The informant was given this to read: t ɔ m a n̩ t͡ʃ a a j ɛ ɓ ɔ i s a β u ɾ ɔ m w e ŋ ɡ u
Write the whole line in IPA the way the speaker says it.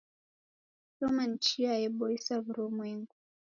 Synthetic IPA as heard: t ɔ m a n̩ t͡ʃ i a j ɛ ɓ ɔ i s a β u ɾ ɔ m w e ŋ ɡ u

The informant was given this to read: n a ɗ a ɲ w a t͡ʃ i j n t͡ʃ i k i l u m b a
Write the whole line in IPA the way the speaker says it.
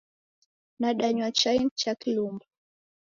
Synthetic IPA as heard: n a ɗ a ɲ w a t͡ʃ a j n t͡ʃ a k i l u m b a

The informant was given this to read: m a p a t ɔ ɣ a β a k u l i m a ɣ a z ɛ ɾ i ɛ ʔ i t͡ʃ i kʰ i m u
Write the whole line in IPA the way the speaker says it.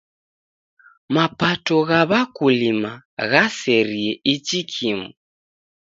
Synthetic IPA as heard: m a p a t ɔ ɣ a β a k u l i m a ɣ a s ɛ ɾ i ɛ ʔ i t͡ʃ i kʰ i m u

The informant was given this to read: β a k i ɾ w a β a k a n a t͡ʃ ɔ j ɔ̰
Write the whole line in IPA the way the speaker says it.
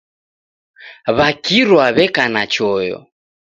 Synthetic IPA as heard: β a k i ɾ w a β ɛ k a n a t͡ʃ ɔ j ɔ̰

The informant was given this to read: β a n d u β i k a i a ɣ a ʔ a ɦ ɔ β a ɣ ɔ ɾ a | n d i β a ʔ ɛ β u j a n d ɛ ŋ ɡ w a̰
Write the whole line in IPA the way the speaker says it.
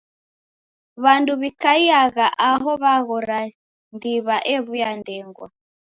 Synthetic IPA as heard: β a n d u β i k a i a ɣ a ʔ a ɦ ɔ β a ɣ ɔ ɾ a | n d i β a ʔ ɛ β u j a n d ɛ ŋ ɡ w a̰

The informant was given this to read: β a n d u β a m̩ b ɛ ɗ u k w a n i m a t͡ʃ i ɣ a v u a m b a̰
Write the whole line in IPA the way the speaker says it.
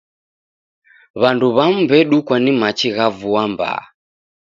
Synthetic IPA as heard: β a n d u β a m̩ b ɛ ɗ u k w a n i m a t͡ʃ i ɣ a v u a m b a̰

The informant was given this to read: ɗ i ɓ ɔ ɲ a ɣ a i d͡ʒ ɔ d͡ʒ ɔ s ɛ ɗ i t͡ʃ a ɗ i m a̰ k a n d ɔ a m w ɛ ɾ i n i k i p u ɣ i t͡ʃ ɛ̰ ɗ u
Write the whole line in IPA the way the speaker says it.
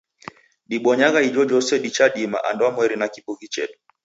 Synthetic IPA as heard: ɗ i ɓ ɔ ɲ a ɣ a i d͡ʒ ɔ d͡ʒ ɔ s ɛ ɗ i t͡ʃ a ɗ i m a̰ ʔ a n d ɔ a m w ɛ ɾ i n a k i p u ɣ i t͡ʃ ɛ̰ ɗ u

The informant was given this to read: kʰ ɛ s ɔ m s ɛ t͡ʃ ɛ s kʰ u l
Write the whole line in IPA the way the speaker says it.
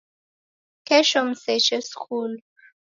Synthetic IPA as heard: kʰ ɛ ʃ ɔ m s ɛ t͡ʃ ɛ s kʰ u l

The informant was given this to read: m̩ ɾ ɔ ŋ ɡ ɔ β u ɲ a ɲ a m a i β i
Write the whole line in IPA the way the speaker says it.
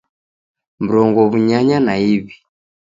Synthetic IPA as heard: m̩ ɾ ɔ ŋ ɡ ɔ β u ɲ a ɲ a n a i β i

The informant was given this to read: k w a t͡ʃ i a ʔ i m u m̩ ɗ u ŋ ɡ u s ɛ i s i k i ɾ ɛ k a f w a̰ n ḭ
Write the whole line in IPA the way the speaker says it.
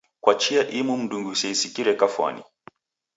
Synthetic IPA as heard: k w a t͡ʃ i a ʔ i m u m̩ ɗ u ŋ ɡ u s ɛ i s i k i ɾ ɛ k a f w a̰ n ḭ

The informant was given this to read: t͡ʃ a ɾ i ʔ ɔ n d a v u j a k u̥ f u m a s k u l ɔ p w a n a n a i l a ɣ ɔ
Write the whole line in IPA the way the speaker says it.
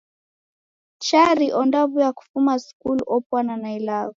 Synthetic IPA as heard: t͡ʃ a ɾ i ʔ ɔ n d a v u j a k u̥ f u m a s k u l ɔ p w a n a n a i l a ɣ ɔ

